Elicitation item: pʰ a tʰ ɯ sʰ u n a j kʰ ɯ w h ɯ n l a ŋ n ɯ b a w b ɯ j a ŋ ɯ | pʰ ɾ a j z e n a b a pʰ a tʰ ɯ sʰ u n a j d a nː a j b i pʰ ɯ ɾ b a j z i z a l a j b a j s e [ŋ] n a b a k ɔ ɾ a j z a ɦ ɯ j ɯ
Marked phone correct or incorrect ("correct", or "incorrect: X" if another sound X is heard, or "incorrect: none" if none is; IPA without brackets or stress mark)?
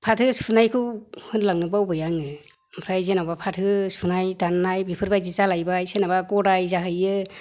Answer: incorrect: none